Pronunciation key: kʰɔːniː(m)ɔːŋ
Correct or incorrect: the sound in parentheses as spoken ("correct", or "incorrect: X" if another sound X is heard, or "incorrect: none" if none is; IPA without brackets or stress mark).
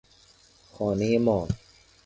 correct